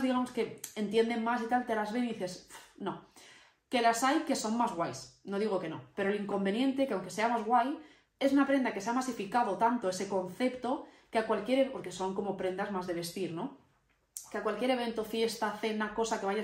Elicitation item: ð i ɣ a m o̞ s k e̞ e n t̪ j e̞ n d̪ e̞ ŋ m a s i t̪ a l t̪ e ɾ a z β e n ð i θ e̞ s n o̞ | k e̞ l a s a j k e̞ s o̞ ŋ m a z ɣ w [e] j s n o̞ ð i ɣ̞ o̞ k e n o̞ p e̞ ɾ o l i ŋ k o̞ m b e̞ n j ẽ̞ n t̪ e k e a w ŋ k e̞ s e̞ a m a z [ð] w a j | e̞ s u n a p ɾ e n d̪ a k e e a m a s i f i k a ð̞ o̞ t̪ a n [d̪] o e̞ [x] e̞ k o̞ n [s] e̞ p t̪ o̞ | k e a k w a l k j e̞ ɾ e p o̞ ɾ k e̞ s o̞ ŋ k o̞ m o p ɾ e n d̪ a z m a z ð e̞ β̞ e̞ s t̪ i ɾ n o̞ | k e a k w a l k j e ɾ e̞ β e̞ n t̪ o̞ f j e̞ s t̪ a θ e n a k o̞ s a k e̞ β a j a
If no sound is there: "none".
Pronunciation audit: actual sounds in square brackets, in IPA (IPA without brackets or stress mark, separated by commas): a, ɣ, t̪, s, θ